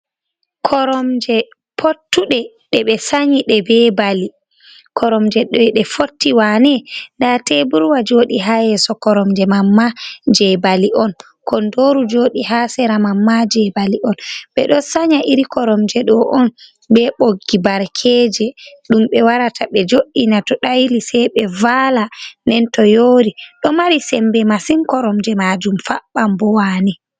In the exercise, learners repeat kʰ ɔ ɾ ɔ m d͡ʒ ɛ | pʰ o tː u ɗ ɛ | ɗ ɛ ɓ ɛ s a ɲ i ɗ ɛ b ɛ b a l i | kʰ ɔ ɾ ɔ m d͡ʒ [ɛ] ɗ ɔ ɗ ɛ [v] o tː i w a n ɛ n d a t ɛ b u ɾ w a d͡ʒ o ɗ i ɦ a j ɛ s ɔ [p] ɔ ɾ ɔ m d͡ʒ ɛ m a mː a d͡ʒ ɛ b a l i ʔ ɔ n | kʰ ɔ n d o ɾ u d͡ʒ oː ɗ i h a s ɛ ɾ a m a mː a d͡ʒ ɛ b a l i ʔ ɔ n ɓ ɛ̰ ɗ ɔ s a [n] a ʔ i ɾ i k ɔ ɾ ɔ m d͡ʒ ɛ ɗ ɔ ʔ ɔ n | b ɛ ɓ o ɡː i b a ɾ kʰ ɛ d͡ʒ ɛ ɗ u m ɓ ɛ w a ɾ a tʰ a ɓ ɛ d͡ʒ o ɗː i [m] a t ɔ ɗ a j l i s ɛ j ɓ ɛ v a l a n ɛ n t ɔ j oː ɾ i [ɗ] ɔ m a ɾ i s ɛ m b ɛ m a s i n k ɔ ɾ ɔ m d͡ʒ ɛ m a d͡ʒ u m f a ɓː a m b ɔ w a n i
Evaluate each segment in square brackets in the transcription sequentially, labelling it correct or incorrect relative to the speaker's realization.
correct, incorrect, incorrect, incorrect, incorrect, correct

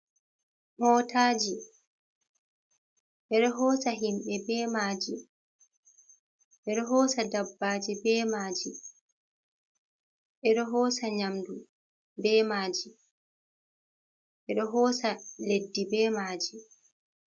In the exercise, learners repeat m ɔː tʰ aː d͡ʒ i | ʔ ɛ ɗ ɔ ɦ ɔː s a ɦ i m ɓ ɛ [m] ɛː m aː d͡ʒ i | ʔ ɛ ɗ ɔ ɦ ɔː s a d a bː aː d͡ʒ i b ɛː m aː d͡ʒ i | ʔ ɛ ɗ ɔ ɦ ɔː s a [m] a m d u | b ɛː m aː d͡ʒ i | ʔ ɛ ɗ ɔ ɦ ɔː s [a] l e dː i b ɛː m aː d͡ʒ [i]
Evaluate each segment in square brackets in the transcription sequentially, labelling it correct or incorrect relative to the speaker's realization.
incorrect, incorrect, correct, correct

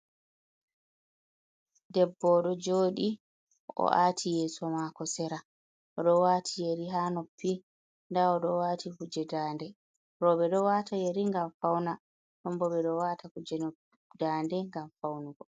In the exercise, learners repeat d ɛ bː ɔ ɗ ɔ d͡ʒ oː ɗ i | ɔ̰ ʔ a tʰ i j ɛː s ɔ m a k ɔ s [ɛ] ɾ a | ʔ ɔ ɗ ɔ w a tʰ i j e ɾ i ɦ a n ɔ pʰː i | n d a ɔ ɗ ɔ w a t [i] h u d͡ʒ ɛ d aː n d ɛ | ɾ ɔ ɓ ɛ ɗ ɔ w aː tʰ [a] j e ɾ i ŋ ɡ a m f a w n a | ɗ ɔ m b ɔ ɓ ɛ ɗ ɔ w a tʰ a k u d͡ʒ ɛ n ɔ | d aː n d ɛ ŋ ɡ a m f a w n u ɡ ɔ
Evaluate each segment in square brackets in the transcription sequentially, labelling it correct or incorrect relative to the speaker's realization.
correct, correct, correct

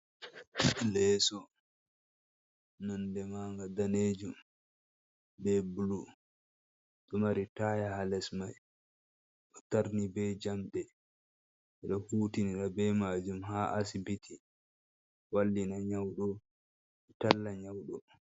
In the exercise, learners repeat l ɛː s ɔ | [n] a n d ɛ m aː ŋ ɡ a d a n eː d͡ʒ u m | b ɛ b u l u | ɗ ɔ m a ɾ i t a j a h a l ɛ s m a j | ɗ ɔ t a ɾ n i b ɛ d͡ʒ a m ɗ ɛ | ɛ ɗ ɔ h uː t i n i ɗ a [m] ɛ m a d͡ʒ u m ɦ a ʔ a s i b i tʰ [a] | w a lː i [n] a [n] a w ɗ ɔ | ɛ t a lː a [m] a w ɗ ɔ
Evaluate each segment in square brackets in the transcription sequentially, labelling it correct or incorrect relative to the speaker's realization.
correct, incorrect, incorrect, correct, incorrect, incorrect

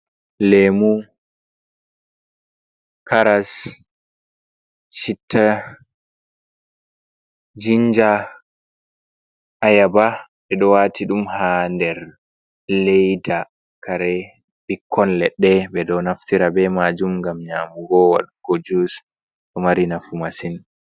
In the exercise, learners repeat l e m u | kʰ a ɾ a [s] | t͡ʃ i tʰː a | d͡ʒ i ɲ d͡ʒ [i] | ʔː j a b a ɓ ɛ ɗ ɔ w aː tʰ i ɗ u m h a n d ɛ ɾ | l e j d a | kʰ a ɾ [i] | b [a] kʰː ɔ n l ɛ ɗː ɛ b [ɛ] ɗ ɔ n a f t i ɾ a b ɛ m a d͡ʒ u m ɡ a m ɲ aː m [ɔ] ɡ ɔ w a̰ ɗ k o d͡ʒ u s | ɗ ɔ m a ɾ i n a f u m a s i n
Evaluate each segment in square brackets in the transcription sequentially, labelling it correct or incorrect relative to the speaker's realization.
correct, incorrect, incorrect, incorrect, correct, incorrect

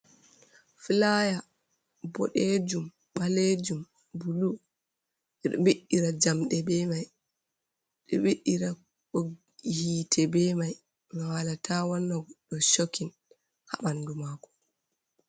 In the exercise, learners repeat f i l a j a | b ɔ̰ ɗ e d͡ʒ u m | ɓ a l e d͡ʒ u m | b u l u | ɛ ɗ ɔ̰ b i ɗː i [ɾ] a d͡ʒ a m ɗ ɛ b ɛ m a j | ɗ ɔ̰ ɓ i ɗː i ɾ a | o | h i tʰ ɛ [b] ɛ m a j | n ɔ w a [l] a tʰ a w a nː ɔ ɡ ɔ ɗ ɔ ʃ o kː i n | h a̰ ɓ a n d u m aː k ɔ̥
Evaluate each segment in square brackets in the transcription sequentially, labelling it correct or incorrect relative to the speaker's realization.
correct, correct, correct

